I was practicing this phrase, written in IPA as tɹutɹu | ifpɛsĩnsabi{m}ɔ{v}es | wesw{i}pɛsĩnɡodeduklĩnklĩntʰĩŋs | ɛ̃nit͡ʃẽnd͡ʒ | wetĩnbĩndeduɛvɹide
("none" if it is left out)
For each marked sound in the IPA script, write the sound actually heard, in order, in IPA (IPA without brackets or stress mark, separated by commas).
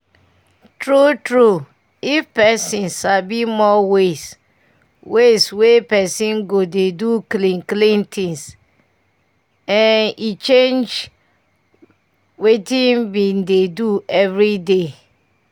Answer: m, w, e